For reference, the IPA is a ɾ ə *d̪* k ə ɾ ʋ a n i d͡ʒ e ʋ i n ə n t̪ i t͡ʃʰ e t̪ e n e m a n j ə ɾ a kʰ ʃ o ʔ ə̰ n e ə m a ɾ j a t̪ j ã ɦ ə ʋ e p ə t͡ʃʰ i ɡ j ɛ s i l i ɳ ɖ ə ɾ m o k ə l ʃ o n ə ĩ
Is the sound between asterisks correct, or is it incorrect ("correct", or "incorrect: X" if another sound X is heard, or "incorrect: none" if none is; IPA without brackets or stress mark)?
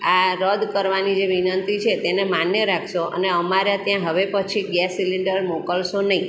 correct